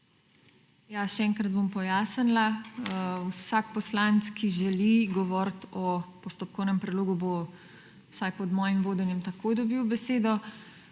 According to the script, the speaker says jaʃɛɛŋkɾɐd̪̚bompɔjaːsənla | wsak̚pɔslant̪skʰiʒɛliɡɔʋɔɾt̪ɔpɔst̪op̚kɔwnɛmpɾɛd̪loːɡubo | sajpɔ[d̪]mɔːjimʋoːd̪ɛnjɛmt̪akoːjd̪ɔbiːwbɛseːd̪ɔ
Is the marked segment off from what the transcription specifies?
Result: no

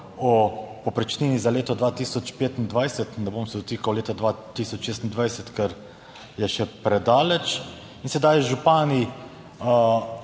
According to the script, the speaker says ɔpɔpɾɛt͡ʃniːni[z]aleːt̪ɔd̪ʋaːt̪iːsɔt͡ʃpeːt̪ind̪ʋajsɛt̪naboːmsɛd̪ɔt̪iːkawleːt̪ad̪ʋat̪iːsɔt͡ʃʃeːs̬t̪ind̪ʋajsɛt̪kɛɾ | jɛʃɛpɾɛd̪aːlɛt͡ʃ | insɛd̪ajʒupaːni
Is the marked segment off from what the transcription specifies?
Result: no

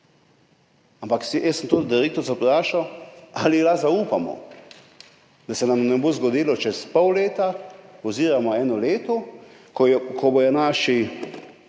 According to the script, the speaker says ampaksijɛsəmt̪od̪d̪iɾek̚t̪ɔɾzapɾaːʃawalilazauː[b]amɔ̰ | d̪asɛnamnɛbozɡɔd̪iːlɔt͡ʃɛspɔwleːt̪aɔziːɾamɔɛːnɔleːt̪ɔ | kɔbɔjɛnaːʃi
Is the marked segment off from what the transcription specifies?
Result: yes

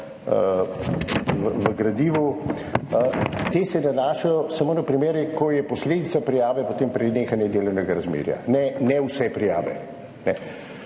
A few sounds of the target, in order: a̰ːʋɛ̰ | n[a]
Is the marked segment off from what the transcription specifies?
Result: yes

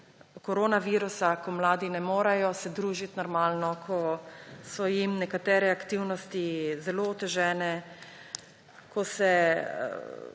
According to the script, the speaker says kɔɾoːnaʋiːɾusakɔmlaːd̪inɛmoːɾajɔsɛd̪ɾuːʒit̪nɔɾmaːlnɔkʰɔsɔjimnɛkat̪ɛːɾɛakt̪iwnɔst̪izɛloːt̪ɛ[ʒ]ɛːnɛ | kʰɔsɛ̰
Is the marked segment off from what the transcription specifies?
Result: no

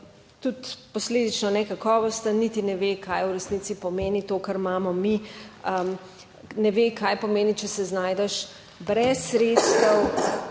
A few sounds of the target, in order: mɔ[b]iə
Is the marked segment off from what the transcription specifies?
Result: yes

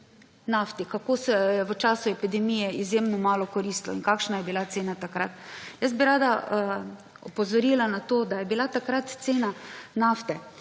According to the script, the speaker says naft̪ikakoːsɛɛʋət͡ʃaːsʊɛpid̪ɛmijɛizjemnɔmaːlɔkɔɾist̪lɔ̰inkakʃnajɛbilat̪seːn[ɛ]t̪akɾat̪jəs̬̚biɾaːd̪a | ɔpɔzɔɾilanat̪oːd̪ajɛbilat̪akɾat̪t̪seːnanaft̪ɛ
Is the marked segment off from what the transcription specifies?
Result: yes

